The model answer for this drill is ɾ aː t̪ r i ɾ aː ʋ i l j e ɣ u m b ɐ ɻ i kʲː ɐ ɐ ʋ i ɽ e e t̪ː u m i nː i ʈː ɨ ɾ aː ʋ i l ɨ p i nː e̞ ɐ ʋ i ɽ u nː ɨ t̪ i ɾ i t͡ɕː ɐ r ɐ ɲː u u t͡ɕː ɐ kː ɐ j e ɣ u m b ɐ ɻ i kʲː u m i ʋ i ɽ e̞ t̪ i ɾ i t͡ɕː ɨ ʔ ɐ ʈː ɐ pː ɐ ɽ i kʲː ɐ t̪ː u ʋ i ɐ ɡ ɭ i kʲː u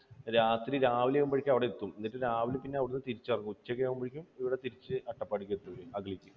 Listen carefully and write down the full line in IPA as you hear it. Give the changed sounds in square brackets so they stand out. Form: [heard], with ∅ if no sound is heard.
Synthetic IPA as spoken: ɾ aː t̪ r i ɾ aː ʋ i l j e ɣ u m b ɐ ɻ i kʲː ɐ ɐ ʋ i ɽ e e t̪ː u m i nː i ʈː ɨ ɾ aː ʋ i l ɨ p i nː e̞ ɐ ʋ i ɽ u nː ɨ t̪ i ɾ i t͡ɕː ɐ r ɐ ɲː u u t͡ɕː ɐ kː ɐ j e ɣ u m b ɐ ɻ i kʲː u m i ʋ i ɽ e̞ t̪ i ɾ i t͡ɕː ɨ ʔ ɐ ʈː ɐ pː ɐ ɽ i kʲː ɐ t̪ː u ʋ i ɐ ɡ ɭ i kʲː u